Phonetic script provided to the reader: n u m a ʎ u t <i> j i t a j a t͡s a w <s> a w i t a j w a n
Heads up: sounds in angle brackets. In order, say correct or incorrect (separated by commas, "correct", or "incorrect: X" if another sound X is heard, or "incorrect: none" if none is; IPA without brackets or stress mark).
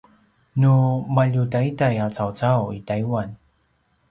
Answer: incorrect: a, incorrect: t͡s